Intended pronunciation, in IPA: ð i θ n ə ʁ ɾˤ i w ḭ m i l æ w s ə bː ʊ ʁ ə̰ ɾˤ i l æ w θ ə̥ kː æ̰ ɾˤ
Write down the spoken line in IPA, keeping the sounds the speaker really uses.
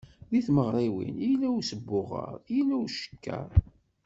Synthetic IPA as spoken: ð i θ m ə ʁ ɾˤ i w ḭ n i l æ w s ə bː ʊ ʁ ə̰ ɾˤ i l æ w ʃ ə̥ kː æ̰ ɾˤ